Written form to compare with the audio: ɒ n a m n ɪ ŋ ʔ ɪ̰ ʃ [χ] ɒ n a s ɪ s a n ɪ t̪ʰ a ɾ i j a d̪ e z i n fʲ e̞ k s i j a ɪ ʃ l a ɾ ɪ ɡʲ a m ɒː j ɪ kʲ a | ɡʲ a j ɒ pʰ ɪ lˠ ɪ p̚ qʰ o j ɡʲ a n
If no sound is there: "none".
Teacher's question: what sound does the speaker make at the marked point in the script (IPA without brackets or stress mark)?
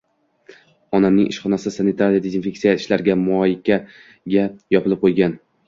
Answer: χ